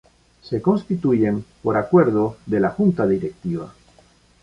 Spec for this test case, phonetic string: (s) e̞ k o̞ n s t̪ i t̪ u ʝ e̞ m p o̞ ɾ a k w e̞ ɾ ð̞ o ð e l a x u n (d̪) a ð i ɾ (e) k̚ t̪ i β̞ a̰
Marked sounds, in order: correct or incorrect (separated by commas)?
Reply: correct, incorrect, correct